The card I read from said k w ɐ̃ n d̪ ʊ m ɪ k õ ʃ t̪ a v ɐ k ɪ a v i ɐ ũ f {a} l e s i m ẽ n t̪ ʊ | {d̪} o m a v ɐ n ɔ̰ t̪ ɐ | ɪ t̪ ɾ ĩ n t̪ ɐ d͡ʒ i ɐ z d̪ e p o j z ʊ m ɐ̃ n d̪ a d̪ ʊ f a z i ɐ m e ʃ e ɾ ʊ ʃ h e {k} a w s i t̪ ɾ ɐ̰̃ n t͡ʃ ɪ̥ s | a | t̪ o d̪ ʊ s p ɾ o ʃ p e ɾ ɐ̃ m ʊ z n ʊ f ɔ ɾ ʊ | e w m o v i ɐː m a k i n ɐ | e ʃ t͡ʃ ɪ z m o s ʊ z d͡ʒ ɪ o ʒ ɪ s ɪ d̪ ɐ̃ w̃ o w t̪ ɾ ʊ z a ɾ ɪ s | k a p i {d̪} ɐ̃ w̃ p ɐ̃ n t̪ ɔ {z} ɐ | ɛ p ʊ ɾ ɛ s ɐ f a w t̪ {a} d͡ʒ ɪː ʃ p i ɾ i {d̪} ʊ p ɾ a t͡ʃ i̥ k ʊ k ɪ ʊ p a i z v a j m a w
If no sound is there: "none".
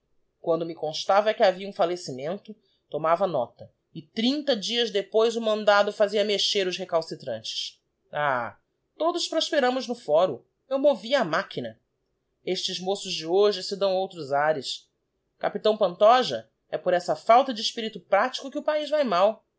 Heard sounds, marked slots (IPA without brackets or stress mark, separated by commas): a, t̪, k, t̪, ʒ, ɐ, t̪